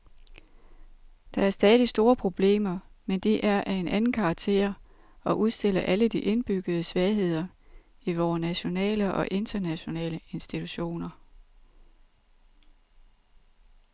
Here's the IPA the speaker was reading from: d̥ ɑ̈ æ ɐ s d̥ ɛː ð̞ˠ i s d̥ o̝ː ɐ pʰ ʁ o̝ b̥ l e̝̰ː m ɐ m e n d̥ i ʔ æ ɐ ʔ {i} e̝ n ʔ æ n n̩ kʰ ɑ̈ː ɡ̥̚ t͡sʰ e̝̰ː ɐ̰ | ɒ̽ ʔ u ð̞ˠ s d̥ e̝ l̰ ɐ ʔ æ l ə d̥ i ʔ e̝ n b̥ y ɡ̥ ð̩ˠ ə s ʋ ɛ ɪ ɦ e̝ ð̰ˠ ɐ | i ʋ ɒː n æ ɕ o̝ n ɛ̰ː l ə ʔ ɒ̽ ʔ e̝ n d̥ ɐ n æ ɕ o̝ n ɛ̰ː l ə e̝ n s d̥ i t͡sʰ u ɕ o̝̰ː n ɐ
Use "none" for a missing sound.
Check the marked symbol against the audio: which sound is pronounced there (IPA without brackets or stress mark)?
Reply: æ